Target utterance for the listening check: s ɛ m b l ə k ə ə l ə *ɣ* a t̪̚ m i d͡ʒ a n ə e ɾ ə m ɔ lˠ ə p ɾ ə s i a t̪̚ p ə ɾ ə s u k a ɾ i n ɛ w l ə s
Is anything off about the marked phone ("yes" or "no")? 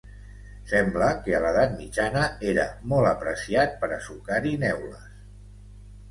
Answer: yes